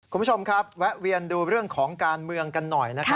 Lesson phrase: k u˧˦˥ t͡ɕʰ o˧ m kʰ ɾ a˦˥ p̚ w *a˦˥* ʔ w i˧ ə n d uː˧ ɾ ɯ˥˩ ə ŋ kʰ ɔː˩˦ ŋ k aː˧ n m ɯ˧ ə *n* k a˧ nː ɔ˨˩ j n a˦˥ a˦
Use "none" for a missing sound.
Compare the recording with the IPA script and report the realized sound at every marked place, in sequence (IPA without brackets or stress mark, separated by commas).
ɛ˦˥, ŋ